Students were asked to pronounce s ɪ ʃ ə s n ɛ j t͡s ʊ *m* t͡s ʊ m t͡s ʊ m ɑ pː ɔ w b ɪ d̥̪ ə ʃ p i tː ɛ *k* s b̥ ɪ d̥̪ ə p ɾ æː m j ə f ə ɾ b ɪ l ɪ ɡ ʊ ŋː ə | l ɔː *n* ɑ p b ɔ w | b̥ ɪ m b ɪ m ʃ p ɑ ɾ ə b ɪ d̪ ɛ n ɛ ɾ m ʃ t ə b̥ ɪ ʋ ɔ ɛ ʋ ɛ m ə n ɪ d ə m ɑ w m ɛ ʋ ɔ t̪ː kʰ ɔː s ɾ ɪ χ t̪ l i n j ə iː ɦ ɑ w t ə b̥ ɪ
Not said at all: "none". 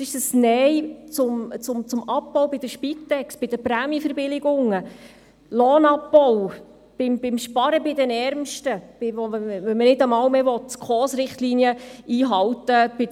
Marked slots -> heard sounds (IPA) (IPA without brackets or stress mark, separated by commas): m, k, n